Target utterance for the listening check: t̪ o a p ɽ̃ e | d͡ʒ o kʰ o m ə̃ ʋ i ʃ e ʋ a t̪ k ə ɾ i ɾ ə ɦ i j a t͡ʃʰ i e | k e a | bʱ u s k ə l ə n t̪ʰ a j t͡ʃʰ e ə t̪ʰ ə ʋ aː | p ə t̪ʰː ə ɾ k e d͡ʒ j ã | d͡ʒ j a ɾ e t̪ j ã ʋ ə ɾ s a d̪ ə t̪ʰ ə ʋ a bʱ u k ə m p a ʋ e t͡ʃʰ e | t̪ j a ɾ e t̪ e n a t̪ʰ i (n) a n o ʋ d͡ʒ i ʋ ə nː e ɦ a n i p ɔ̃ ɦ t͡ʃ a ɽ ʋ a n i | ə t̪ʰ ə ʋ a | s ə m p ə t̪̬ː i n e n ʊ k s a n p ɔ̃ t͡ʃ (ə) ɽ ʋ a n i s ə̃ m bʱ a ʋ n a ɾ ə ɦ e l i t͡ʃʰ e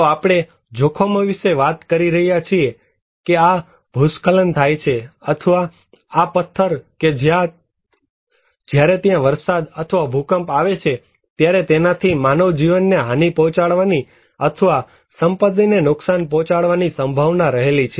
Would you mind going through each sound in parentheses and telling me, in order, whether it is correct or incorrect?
incorrect: m, incorrect: a

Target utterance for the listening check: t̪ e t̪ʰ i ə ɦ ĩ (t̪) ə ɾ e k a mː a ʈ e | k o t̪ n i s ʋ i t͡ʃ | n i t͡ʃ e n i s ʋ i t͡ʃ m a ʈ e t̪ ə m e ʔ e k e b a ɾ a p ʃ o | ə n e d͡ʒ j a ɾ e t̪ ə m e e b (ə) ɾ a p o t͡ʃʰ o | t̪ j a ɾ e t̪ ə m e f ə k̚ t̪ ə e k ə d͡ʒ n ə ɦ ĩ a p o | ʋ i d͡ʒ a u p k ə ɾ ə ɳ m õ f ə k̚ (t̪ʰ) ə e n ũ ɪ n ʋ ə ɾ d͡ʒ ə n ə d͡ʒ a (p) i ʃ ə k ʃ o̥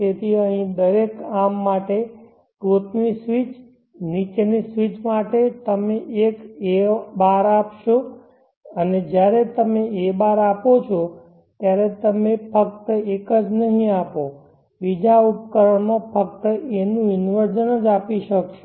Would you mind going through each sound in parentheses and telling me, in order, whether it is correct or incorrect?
incorrect: d̪, incorrect: a, incorrect: t̪, correct

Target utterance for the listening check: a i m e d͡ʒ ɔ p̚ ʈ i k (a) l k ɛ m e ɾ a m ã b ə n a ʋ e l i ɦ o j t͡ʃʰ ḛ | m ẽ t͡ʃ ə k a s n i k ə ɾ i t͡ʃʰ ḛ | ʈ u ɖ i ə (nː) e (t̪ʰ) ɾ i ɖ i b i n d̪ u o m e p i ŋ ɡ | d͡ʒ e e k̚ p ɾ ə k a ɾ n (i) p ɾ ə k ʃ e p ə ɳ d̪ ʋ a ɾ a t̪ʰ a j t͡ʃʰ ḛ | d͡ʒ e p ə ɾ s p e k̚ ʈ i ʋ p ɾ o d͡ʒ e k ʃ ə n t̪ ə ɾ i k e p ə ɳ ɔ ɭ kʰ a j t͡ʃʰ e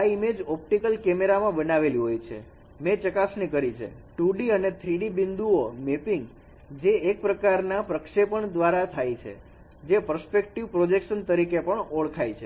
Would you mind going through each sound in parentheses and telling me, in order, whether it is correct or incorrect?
incorrect: ə, incorrect: n, correct, incorrect: a

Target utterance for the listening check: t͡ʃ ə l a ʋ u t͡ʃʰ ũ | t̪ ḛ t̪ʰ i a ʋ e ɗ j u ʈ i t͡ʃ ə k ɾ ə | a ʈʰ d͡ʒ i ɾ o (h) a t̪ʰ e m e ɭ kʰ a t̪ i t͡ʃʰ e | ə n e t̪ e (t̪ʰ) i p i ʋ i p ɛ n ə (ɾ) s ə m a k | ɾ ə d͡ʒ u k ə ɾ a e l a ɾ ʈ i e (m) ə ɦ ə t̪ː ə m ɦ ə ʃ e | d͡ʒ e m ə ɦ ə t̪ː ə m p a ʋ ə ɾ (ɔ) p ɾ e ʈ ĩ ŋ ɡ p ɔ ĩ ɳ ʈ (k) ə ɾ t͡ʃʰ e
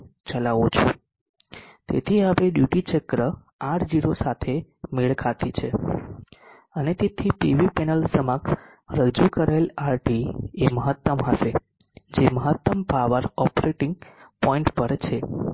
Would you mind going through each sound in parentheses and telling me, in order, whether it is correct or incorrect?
incorrect: s, correct, incorrect: l, correct, correct, incorrect: p

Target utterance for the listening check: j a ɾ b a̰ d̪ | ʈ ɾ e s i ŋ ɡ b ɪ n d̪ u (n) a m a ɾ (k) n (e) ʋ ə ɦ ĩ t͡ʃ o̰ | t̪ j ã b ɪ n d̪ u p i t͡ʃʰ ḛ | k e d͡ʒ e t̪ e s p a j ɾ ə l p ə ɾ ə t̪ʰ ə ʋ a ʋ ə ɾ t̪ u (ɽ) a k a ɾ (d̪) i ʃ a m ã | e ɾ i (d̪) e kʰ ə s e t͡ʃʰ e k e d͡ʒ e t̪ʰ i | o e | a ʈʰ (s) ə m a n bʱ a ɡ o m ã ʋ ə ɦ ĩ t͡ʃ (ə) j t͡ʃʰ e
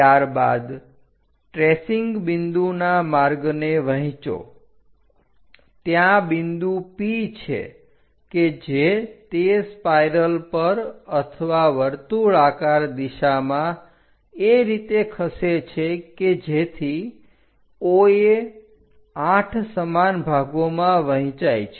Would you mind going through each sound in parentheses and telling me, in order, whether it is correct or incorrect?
correct, incorrect: ɡ, correct, incorrect: ɭ, correct, incorrect: t̪, correct, incorrect: a

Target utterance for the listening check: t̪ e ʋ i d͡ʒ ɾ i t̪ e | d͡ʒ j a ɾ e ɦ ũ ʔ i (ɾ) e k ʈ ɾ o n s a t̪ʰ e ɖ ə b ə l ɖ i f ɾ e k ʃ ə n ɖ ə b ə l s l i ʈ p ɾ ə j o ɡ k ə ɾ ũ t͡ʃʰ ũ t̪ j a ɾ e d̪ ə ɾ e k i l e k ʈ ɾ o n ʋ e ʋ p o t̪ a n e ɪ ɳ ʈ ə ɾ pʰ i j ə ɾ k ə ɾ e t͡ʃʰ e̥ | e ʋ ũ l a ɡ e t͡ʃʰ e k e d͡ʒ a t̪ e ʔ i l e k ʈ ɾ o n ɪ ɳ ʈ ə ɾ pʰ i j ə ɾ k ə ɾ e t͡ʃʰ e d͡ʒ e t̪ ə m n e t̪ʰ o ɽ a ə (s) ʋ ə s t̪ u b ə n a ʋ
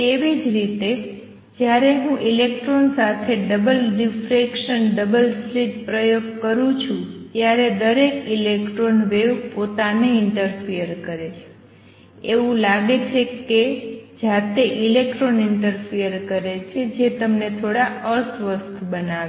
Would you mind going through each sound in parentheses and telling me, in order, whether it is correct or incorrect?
incorrect: l, correct

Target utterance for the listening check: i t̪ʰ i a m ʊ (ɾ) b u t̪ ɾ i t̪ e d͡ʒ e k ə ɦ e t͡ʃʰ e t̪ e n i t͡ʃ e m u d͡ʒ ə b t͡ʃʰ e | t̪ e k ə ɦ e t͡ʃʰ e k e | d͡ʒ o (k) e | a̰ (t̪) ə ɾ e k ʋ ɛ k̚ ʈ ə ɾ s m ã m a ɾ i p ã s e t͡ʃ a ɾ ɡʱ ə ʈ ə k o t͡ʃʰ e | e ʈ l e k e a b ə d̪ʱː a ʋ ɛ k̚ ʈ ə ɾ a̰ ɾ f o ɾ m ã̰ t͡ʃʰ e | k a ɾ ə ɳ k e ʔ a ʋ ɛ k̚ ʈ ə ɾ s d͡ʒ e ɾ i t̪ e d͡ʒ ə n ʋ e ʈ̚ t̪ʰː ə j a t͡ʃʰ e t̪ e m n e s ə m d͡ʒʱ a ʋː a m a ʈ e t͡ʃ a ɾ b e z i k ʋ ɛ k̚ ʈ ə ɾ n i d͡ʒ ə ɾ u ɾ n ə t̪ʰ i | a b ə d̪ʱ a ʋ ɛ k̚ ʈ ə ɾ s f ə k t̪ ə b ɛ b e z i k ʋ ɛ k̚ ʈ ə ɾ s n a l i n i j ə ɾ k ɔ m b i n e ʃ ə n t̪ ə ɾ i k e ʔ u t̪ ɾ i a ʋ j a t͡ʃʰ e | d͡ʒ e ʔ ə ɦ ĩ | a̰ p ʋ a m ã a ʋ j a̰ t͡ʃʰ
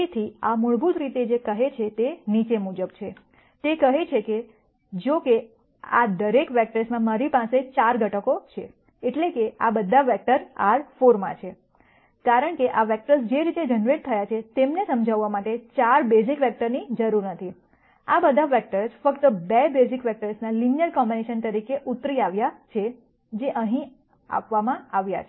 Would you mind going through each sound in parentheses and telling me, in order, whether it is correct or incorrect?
incorrect: ɭ, correct, incorrect: d̪

